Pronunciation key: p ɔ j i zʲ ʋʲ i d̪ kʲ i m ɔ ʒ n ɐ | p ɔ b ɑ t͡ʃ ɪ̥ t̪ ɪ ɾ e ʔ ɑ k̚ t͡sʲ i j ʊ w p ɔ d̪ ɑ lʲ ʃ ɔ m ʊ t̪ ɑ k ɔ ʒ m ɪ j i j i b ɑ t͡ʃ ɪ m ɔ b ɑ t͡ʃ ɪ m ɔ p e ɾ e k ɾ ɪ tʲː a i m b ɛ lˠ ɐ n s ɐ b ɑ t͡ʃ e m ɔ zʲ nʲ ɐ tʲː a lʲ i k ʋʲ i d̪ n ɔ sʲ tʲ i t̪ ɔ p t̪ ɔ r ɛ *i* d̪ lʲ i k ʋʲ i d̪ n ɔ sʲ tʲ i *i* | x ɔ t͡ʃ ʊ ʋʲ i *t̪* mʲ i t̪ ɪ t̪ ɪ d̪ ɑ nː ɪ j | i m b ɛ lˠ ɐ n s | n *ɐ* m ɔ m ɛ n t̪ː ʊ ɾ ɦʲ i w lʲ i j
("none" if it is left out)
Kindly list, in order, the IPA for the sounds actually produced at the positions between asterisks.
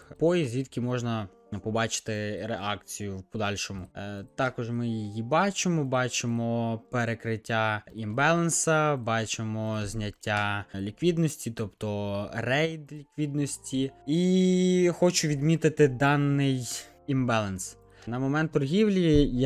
j, i, d̪, ɐ

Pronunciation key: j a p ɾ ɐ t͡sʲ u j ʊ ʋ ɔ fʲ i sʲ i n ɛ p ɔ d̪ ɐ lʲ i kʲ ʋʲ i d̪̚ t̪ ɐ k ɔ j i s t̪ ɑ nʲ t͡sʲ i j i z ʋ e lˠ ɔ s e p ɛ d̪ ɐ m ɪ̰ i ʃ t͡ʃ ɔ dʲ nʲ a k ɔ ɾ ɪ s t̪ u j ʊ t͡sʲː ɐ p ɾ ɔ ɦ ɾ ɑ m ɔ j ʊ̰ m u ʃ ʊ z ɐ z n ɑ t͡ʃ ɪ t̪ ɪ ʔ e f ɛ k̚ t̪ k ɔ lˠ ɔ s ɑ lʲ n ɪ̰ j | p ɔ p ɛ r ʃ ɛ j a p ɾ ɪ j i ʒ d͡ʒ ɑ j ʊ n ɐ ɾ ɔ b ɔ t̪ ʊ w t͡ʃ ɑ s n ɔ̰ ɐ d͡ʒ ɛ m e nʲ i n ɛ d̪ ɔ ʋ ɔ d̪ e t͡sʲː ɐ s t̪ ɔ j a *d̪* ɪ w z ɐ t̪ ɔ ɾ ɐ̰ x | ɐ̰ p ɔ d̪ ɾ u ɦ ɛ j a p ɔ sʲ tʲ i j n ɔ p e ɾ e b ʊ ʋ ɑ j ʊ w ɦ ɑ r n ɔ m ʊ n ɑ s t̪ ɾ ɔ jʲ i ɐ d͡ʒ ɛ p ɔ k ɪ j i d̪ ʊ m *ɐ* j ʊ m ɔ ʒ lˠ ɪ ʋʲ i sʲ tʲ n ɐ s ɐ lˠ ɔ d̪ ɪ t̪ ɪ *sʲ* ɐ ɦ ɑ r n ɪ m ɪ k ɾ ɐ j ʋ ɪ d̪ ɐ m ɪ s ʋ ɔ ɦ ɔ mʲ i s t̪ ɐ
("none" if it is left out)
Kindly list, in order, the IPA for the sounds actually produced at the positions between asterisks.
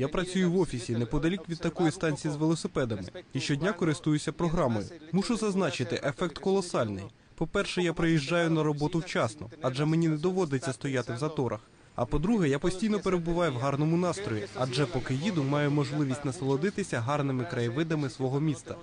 t̪, ɑ, sʲ

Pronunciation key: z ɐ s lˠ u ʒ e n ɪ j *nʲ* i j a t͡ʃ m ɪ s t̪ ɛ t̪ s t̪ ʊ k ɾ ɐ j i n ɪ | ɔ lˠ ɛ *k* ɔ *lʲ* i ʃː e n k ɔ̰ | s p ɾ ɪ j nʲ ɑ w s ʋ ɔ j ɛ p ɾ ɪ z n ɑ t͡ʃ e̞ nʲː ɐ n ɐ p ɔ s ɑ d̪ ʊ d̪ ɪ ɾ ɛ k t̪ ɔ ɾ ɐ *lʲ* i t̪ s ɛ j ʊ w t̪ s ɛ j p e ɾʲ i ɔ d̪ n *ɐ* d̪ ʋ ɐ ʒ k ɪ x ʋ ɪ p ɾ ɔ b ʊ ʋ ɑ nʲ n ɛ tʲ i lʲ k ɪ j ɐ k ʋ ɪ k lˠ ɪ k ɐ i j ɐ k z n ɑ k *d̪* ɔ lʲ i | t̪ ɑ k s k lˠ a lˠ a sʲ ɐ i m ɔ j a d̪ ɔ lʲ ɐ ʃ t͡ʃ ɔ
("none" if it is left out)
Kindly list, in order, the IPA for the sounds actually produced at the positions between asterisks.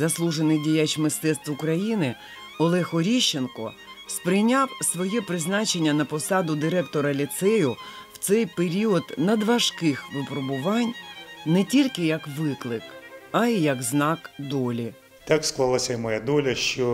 dʲ, x, ɾʲ, lʲ, ɐ, d̪

